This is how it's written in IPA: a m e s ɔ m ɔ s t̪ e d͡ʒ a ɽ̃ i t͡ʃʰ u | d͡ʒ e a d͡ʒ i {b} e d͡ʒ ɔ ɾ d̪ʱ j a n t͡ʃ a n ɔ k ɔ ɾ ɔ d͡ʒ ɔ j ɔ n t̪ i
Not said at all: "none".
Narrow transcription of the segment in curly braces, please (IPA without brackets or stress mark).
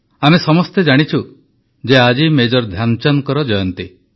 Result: m